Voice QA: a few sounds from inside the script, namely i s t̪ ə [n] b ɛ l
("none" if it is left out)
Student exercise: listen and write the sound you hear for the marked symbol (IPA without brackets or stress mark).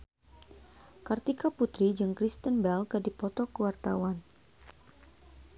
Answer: n